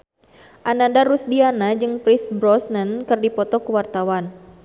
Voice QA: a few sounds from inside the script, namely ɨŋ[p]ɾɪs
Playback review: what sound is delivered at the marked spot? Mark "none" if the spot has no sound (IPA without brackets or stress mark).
p